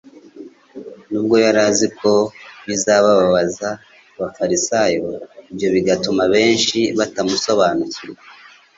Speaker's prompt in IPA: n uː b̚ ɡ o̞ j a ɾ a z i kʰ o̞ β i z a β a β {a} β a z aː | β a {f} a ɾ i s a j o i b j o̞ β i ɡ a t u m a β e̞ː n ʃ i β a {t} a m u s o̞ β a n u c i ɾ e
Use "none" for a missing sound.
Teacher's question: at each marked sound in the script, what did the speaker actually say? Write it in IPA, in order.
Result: a, f, t

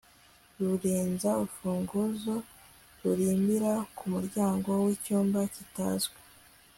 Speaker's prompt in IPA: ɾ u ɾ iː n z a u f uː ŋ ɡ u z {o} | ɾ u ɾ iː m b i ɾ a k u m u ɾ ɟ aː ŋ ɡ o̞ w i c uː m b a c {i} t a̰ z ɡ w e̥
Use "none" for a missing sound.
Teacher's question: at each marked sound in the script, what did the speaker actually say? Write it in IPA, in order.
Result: o, i

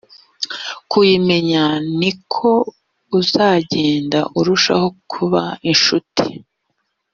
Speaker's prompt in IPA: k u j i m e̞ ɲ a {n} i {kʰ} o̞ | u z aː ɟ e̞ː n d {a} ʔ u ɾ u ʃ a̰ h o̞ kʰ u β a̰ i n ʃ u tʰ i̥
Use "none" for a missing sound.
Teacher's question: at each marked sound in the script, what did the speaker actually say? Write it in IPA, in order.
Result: n, kʰ, a

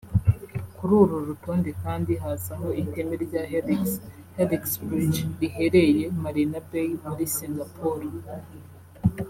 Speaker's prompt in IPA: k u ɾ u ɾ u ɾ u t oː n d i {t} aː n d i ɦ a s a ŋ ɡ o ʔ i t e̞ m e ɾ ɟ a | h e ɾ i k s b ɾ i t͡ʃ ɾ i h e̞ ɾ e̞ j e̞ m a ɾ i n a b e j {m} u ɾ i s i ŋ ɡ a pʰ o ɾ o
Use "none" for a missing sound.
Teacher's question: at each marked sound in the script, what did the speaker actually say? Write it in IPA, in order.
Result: k, m

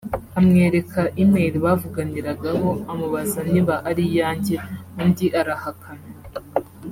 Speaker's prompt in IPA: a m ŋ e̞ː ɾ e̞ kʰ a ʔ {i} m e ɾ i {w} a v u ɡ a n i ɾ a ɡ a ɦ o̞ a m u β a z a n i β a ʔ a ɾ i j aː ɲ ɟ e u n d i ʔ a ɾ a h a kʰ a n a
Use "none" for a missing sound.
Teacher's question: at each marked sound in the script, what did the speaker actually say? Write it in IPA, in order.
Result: i, β

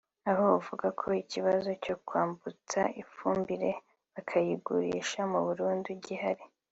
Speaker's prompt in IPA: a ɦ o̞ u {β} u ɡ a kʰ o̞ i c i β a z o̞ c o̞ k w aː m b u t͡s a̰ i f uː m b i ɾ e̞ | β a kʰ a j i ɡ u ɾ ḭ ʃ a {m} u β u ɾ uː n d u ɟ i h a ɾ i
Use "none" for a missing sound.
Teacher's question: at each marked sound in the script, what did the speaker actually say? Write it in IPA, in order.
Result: v, m

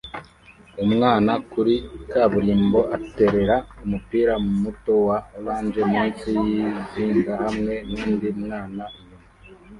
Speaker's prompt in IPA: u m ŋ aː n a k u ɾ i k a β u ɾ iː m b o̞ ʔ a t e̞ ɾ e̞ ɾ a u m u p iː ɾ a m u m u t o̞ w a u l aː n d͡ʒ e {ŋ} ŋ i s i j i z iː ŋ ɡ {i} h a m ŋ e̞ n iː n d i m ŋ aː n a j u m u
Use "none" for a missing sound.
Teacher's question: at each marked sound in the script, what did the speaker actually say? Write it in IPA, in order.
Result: m, a

